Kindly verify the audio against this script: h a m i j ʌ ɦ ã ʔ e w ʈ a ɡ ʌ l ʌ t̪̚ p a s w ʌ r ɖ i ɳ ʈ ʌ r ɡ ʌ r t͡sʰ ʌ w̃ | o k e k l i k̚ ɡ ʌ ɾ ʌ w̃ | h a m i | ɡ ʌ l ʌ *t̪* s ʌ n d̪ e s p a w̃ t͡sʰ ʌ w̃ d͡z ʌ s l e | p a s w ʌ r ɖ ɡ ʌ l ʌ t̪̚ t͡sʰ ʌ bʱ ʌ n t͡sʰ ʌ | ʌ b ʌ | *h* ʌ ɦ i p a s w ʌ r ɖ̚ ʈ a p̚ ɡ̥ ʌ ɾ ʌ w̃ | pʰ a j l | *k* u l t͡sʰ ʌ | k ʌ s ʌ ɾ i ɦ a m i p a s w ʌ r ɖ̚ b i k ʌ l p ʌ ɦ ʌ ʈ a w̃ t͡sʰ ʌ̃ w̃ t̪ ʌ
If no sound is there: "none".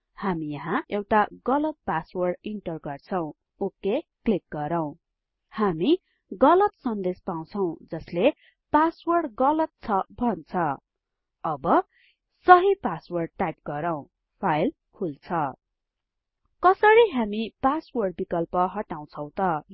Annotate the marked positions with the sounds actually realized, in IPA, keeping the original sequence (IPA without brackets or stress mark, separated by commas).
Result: t̪, s, kʰ